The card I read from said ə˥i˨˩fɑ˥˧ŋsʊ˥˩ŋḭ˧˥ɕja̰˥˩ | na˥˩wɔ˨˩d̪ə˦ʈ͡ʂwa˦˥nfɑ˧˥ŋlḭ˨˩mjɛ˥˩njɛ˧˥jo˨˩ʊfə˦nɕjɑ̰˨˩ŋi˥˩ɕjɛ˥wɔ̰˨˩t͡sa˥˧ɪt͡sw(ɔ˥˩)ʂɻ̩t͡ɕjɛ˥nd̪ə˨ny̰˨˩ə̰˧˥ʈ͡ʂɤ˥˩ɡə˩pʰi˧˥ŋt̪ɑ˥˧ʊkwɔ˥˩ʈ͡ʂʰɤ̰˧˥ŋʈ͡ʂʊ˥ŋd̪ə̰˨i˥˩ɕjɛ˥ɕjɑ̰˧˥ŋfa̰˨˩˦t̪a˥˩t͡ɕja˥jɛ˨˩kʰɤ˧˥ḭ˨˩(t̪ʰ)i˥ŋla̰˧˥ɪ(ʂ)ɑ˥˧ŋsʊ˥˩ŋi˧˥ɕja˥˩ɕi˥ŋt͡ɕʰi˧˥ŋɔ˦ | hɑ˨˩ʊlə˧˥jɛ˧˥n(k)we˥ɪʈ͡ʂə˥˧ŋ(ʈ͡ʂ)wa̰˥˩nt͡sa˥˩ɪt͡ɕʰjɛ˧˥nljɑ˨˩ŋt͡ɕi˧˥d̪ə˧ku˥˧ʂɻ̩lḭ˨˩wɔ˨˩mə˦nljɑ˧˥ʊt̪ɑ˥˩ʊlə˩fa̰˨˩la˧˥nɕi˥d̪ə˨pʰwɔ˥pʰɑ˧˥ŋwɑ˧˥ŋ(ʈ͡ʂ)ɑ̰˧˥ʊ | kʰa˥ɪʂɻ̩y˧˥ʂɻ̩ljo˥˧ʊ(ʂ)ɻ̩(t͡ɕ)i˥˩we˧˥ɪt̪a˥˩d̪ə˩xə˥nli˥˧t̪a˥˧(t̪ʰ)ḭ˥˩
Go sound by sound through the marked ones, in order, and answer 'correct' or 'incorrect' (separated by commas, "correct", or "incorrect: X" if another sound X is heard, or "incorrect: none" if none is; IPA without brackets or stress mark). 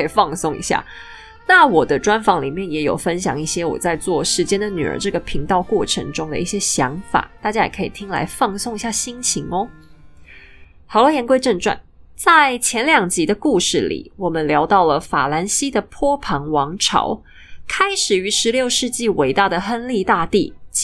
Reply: correct, correct, incorrect: f, correct, correct, incorrect: ʈ͡ʂʰ, correct, correct, incorrect: t̪